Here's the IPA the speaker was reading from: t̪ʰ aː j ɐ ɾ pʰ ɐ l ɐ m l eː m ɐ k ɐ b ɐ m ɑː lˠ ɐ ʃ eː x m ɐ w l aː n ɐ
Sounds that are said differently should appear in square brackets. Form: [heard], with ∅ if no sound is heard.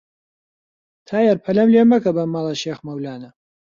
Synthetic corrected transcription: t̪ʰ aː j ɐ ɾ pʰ ɐ l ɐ m l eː m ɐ k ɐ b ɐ m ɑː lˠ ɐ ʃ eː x m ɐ w l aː n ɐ

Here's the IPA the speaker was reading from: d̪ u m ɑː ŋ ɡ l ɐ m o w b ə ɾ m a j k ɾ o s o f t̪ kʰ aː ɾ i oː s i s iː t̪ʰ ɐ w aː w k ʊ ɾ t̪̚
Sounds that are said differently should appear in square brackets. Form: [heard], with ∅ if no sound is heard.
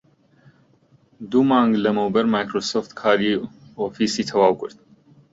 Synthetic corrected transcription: d̪ u m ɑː ŋ ɡ l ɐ m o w b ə ɾ m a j k ɾ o s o f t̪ kʰ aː ɾ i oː [f] i s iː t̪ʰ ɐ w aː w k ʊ ɾ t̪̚

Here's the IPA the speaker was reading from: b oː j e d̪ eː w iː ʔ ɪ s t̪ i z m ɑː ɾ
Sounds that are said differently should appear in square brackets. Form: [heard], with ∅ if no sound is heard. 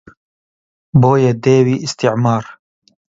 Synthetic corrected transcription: b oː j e d̪ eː w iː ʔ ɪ s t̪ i [ʕ] m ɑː ɾ

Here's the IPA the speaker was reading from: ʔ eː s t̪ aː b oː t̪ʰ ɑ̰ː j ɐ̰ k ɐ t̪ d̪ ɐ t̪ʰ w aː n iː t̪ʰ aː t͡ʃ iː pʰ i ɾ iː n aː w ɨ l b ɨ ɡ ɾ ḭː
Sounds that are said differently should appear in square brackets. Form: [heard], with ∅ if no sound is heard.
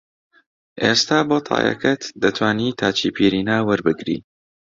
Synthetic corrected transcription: ʔ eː s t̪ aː b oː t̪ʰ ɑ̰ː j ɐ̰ k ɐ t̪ d̪ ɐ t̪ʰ w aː n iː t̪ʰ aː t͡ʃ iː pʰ i ɾ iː n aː w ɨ [ɾ] b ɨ ɡ ɾ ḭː

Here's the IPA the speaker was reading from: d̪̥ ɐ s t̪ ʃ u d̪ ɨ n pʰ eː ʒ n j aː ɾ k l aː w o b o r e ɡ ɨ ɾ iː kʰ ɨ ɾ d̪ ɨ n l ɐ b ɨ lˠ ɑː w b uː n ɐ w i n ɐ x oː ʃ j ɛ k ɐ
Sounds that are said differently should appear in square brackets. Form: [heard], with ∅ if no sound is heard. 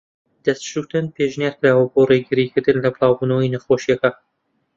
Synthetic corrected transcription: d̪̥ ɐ s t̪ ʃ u [t̪] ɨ n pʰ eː ʒ n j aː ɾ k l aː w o b o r e ɡ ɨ ɾ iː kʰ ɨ ɾ d̪ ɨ n l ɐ b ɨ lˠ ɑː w b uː n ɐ w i n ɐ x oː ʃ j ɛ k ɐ

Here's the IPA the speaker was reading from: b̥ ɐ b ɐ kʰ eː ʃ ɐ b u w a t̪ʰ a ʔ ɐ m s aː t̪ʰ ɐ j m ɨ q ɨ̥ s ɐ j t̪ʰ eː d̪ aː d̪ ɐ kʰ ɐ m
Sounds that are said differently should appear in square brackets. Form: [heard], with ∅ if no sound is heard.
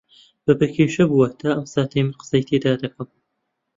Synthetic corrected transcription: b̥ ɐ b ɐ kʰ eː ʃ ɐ b u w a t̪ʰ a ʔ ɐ m s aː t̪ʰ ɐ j m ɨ q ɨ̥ s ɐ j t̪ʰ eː d̪ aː d̪ ɐ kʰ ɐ m

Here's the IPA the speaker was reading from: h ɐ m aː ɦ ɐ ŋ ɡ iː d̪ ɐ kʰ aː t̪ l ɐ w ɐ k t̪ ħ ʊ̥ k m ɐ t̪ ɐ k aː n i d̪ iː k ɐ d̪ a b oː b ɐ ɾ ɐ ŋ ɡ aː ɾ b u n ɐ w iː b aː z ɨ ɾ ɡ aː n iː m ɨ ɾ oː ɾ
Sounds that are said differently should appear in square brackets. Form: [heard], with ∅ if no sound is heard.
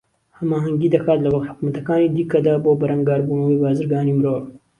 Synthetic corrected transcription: h ɐ m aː ɦ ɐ ŋ ɡ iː d̪ ɐ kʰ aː t̪ l ɐ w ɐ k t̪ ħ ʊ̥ k m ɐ t̪ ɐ k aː n i d̪ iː k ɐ d̪ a b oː b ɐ ɾ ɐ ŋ ɡ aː ɾ b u n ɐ w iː b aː z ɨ ɾ ɡ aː n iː m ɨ ɾ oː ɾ

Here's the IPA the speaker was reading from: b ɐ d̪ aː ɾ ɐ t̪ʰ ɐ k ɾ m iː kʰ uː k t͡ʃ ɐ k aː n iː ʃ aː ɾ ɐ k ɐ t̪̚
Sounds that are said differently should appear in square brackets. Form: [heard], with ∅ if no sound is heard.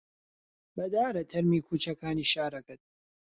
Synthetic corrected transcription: b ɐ d̪ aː ɾ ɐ t̪ʰ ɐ [∅] ɾ m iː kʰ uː [∅] t͡ʃ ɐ k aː n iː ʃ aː ɾ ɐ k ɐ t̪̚

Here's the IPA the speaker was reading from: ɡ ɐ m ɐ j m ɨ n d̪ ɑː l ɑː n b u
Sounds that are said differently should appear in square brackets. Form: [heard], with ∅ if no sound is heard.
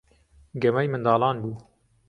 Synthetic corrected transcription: ɡ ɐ m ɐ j m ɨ n d̪ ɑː l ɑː n b [uː]

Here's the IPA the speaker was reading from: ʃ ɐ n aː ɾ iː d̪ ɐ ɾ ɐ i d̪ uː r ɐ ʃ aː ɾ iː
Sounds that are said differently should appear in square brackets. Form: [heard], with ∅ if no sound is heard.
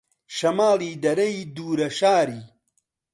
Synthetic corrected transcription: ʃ ɐ [m] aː [l] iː d̪ ɐ ɾ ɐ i d̪ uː [ɾ] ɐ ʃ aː ɾ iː

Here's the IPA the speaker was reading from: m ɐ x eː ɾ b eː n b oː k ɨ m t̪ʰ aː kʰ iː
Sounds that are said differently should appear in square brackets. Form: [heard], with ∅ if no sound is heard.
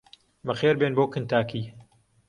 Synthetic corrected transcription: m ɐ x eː ɾ b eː n b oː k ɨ [n] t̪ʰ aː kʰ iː

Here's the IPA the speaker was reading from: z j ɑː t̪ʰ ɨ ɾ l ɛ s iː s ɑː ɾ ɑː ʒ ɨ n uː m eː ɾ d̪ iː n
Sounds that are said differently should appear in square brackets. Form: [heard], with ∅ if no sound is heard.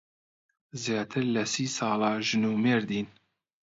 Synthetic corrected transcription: z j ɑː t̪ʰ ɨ ɾ l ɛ s iː s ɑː [l] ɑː ʒ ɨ n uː m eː ɾ d̪ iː n

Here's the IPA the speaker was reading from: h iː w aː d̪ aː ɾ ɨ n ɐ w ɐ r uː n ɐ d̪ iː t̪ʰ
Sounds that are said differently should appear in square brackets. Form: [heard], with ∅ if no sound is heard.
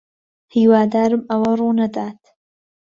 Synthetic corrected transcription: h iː w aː d̪ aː ɾ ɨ [m] ɐ w ɐ r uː n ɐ d̪ [aː] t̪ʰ

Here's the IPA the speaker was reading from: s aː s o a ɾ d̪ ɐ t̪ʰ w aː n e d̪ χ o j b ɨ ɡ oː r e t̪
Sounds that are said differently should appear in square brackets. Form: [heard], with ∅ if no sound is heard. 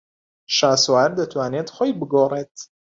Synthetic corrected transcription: [ʃ] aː s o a ɾ d̪ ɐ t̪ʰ w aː n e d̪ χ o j b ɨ ɡ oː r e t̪

